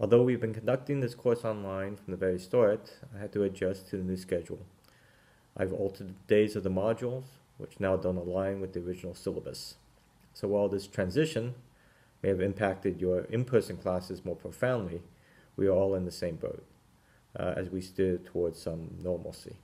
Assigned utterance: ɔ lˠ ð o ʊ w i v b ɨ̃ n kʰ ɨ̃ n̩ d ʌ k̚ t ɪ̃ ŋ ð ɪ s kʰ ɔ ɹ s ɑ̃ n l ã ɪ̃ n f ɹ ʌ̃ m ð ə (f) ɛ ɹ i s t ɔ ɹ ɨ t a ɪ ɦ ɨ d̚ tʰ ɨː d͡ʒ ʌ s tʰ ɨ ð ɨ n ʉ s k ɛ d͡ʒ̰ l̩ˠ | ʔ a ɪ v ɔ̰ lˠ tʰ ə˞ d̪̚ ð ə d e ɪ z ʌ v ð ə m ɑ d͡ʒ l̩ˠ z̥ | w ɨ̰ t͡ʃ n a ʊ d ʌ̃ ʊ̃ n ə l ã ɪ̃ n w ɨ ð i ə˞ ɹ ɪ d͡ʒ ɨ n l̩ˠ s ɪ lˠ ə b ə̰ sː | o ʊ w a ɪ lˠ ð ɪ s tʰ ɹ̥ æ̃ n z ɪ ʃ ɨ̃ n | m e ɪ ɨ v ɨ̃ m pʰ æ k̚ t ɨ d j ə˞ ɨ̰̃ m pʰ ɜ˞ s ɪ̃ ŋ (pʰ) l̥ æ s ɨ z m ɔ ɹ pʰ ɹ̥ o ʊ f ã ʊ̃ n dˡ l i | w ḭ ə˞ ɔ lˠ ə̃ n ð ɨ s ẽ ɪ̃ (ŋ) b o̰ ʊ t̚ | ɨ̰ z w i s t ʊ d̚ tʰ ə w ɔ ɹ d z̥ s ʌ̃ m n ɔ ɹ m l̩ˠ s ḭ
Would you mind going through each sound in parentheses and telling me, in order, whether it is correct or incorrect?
incorrect: v, incorrect: kʰ, incorrect: m

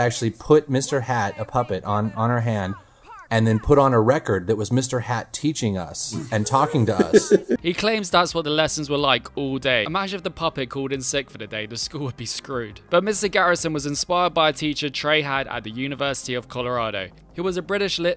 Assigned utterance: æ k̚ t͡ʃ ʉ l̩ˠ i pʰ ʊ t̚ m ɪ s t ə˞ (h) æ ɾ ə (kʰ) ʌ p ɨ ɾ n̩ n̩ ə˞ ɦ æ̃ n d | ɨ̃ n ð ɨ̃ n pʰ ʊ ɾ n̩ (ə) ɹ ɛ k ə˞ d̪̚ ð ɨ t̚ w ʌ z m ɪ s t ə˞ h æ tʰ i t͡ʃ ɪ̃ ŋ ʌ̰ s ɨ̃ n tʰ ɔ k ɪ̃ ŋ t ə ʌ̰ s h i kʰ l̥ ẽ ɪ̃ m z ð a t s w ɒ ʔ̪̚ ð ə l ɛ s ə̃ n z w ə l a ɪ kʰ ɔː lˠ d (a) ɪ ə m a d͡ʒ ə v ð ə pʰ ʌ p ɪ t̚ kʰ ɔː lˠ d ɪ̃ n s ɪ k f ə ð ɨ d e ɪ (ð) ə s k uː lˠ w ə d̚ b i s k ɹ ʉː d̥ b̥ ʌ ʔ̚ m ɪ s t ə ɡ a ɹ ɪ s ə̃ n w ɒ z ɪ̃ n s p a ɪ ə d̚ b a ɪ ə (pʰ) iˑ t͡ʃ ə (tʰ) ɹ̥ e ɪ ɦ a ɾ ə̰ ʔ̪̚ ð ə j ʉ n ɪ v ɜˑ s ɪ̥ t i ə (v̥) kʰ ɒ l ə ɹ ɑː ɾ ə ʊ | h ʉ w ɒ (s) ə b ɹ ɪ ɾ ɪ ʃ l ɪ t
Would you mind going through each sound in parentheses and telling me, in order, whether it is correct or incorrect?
correct, incorrect: pʰ, correct, incorrect: e, correct, incorrect: tʰ, correct, correct, incorrect: z

